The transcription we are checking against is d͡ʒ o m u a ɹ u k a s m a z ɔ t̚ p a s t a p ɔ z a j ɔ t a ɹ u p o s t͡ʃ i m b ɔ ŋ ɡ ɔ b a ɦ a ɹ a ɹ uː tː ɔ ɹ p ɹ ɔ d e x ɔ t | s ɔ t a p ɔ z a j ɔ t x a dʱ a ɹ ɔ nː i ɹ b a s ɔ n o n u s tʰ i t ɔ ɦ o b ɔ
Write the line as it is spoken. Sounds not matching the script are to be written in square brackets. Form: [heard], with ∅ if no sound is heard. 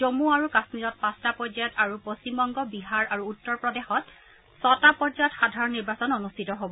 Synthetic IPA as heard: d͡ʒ o m u a ɹ u k a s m [i] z ɔ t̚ p a s t a p ɔ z a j ɔ t a ɹ u p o s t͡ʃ i m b ɔ ŋ ɡ ɔ b [i] ɦ a ɹ a ɹ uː tː ɔ ɹ p ɹ ɔ d e x ɔ t | s ɔ t a p ɔ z a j ɔ t x a dʱ a ɹ ɔ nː i ɹ b a s ɔ n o n u s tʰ i t ɔ ɦ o b ɔ